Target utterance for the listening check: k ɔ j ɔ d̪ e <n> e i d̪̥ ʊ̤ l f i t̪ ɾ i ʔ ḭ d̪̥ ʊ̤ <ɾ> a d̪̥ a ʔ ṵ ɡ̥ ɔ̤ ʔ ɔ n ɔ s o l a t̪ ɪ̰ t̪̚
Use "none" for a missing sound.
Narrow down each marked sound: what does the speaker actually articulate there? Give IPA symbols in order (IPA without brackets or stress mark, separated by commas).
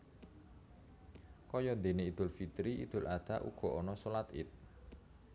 n, l